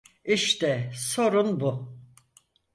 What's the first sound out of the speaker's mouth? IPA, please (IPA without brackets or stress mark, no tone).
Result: i